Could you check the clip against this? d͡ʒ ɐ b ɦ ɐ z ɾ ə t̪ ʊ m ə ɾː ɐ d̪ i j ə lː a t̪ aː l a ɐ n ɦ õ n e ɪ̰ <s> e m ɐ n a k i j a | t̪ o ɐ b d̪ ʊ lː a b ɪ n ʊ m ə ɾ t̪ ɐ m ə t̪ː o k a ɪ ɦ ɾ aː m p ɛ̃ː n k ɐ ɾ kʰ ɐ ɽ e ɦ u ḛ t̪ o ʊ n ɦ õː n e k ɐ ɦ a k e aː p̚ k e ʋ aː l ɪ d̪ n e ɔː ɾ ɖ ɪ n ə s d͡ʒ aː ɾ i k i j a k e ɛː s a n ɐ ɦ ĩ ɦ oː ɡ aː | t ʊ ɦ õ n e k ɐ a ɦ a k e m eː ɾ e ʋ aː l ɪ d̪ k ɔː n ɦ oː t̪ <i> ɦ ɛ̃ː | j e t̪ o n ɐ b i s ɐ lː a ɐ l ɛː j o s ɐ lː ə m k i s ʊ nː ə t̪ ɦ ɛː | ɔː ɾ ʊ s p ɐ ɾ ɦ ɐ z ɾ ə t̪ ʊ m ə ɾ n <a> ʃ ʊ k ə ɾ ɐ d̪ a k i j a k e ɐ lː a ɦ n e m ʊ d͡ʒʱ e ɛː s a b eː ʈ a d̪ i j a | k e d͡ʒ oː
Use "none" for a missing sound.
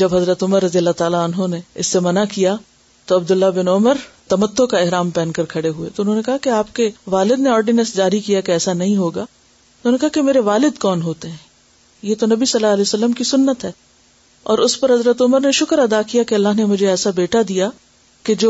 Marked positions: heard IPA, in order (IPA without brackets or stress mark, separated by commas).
sː, e, e